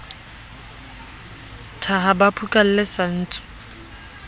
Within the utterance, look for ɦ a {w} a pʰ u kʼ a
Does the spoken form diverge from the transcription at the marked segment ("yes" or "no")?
yes